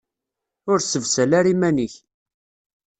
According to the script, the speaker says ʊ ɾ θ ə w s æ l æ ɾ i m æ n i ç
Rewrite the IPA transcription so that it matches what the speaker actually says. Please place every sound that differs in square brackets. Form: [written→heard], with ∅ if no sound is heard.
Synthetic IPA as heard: ʊ ɾ [θ→s] ə [w→v] s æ l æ ɾ i m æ n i ç